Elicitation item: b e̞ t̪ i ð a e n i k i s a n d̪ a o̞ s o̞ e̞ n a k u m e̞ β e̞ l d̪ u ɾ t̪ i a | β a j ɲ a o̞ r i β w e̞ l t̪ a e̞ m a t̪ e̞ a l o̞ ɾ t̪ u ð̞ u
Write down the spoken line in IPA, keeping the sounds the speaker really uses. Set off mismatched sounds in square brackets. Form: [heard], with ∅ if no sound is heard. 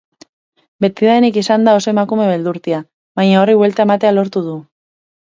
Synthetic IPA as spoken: b e̞ t̪ i ð a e n i k i s a n d̪ a o̞ s o̞ e̞ [m] a k u m e̞ β e̞ l d̪ u ɾ t̪ i a | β a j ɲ a o̞ r i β w e̞ l t̪ a e̞ m a t̪ e̞ a l o̞ ɾ t̪ u ð̞ u

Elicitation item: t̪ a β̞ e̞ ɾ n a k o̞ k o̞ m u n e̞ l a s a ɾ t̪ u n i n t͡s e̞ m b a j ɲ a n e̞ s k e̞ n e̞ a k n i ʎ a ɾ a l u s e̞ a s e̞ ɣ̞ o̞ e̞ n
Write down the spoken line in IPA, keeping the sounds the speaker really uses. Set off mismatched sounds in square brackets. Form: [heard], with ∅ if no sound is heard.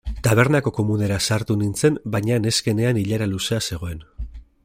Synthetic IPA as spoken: t̪ a β̞ e̞ ɾ n a k o̞ k o̞ m u n e̞ [ɾ] a s a ɾ t̪ u n i n t͡s e̞ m b a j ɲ a n e̞ s k e̞ n e̞ a [∅] n i ʎ a ɾ a l u s e̞ a s e̞ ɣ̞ o̞ e̞ n

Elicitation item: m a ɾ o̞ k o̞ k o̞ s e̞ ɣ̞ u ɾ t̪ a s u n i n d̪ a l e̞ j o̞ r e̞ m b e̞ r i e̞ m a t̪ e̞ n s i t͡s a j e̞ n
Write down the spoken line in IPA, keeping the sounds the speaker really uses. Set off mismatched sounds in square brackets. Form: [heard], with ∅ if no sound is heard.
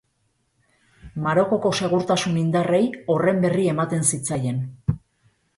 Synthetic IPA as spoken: m a ɾ o̞ k o̞ k o̞ s e̞ ɣ̞ u ɾ t̪ a s u n i n d̪ a [r] e̞ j o̞ r e̞ m b e̞ r i e̞ m a t̪ e̞ n s i t͡s a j e̞ n

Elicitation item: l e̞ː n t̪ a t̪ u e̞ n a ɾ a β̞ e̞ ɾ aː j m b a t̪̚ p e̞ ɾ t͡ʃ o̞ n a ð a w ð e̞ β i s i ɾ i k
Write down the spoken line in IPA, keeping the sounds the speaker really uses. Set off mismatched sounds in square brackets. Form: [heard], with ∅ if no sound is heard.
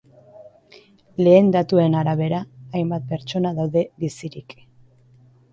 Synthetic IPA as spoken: l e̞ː n [d̪] a t̪ u e̞ n a ɾ a β̞ e̞ ɾ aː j m b a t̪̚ p e̞ ɾ t͡ʃ o̞ n a ð a w ð e̞ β i s i ɾ i k

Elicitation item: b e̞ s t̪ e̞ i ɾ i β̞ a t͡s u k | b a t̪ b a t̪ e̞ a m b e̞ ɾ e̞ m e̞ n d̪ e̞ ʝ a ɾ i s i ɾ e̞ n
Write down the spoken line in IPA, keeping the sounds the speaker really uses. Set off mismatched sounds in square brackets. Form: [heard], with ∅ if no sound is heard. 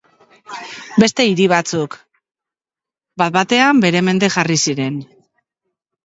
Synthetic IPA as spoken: b e̞ s t̪ e̞ i ɾ i β̞ a t͡s u k | b a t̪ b a t̪ e̞ a m b e̞ ɾ e̞ m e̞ n d̪ e̞ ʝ a [r] i s i ɾ e̞ n

